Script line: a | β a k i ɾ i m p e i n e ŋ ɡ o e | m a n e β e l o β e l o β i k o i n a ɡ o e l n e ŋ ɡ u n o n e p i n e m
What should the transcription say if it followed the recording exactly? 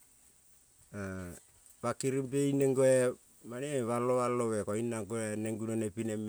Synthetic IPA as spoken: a | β a k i ɾ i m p e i n e ŋ ɡ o e | m a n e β a l o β a l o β e k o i n a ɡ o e n e ŋ ɡ u n o n e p i n e m